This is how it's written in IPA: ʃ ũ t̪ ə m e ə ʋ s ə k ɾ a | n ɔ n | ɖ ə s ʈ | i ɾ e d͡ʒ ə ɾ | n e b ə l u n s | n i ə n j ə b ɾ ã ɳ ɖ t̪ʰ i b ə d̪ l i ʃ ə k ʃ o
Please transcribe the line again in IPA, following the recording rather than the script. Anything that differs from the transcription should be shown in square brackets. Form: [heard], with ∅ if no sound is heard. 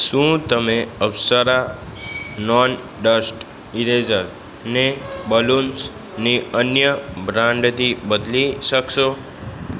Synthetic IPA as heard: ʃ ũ t̪ ə m e ə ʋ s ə [∅] ɾ a | n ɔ n | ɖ ə s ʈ | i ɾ e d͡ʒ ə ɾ | n e b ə l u n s | n i ə n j ə b ɾ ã ɳ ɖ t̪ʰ i b ə d̪ l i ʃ ə k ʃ o